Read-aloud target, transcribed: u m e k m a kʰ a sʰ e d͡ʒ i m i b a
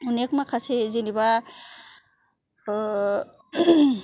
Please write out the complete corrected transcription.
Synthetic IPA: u n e k m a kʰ a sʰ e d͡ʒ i n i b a